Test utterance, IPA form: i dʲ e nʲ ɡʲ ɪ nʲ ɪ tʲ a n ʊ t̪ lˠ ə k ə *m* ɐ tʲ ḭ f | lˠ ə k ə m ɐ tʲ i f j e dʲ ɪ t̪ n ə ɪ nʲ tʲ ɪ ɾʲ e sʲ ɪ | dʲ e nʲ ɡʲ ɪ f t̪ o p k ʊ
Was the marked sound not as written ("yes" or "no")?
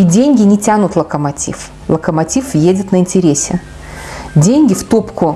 no